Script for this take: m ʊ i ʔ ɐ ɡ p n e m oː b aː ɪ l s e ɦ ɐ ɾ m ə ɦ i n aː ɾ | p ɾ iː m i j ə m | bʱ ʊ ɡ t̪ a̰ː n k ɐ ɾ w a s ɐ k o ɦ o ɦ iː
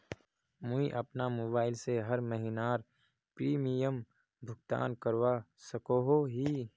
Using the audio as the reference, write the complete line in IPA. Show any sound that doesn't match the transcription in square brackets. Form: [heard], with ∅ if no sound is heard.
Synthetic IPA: m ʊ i ʔ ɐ [∅] p n [a] m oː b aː ɪ l s e ɦ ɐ ɾ m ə ɦ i n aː ɾ | p ɾ iː m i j ə m | bʱ ʊ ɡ t̪ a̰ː n k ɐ ɾ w a s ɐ k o ɦ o ɦ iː